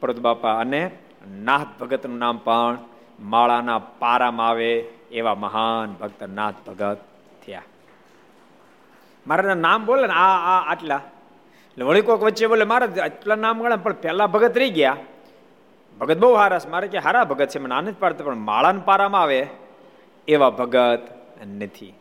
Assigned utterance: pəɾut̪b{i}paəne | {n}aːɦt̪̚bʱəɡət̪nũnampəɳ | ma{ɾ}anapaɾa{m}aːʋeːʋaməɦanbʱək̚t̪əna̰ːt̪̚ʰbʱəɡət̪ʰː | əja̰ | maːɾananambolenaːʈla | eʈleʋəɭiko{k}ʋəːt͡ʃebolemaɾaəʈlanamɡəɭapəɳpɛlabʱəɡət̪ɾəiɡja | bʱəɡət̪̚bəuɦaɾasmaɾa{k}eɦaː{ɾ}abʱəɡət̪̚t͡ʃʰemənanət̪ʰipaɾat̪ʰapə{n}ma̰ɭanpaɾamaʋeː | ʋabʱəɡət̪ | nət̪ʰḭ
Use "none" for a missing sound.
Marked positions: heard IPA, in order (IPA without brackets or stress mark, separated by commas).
a, n, ɭ, m, k, k, ɾ, ɳ